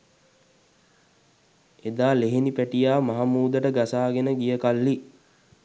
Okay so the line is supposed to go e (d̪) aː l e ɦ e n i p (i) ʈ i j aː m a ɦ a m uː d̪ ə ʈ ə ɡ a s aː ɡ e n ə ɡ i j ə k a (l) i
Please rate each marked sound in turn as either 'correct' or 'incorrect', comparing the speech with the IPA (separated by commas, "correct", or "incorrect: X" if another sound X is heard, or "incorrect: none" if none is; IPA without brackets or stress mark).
correct, incorrect: æ, incorrect: lː